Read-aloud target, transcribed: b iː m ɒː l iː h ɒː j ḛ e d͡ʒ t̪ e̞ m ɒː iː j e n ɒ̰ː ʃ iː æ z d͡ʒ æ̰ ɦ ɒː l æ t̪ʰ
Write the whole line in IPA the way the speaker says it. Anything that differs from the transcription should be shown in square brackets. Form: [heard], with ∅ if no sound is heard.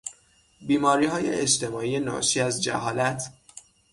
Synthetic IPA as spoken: b iː m ɒː [ɾ] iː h ɒː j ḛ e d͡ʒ t̪ e̞ m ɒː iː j e n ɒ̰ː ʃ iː æ z d͡ʒ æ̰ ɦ ɒː l æ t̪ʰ